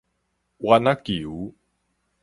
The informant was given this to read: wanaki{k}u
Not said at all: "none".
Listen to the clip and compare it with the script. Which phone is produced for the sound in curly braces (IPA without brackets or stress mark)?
none